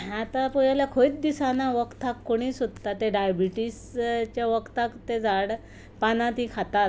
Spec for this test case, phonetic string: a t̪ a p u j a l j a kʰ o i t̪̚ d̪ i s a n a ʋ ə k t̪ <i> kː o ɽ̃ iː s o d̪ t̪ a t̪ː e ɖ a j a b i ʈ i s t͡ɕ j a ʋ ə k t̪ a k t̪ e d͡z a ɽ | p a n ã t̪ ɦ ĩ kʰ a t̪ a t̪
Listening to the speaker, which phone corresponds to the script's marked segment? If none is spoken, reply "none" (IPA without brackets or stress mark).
a